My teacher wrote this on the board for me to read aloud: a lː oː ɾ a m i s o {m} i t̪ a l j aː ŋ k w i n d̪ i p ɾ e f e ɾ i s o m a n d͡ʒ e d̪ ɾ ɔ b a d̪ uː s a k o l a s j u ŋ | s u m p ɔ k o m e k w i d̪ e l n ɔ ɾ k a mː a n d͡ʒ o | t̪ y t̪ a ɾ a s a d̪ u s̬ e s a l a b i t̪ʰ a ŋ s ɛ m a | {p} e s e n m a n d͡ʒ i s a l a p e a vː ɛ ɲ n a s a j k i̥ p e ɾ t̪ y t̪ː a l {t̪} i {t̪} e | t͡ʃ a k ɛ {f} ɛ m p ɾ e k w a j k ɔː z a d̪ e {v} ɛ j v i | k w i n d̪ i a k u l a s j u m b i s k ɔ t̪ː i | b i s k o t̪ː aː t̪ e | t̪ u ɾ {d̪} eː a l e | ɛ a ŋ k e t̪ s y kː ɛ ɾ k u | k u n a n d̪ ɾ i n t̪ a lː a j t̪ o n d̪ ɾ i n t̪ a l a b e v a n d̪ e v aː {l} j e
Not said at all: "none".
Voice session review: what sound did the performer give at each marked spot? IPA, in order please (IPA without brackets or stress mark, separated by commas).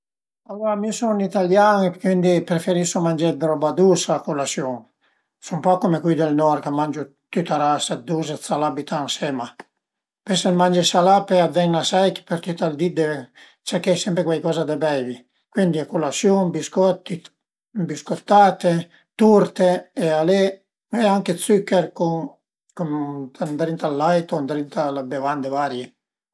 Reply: n, p, d̪, d̪, s, b, t̪, ɾ